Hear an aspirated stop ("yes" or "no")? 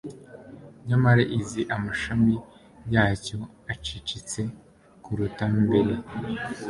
no